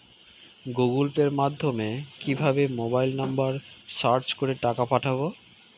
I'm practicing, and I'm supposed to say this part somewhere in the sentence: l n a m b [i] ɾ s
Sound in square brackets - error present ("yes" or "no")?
yes